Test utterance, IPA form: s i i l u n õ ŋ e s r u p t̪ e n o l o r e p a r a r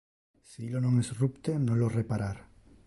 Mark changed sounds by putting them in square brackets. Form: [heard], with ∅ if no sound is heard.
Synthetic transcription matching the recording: s i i l [o] n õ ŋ e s r u p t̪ e n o l o r e p a [ɾ] a [ɾ]